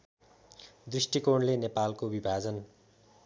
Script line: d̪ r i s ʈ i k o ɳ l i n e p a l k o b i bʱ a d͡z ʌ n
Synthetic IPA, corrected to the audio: d̪ r i s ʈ i k o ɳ l e n e p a l k o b i bʱ a d͡z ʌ n